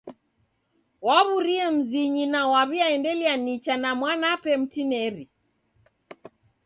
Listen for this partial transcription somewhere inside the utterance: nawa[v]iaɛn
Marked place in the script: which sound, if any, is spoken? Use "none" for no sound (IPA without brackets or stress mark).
β